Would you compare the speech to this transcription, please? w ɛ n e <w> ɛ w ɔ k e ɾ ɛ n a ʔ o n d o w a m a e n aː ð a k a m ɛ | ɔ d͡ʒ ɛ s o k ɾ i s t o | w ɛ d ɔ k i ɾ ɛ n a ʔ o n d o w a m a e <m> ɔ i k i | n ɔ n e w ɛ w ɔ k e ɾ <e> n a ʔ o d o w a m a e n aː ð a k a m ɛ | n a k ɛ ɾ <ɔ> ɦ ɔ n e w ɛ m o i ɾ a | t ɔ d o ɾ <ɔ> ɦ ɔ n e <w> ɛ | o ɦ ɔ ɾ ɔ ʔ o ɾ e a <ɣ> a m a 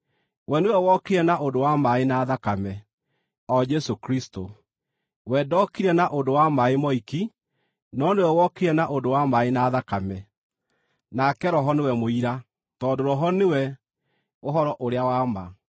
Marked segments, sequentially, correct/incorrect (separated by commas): correct, correct, incorrect, correct, correct, correct, incorrect